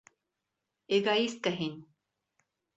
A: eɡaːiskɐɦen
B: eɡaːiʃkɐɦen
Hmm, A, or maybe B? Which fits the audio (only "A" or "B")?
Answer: A